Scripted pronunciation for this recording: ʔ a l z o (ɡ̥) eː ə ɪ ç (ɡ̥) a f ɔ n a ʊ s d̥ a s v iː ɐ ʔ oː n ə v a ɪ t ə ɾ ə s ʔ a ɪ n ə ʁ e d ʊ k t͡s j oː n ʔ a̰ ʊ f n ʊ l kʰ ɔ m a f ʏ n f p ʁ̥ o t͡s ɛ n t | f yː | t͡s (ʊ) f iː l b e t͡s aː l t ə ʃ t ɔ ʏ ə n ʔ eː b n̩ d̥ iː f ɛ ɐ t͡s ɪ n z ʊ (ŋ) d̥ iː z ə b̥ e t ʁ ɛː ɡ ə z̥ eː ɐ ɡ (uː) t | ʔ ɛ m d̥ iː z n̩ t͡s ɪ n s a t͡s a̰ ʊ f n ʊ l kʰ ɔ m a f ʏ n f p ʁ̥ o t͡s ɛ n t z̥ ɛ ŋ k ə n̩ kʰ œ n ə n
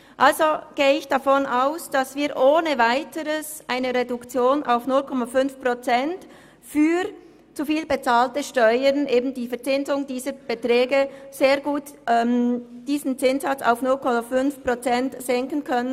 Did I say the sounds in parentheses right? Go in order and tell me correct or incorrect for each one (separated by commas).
correct, incorrect, incorrect, correct, correct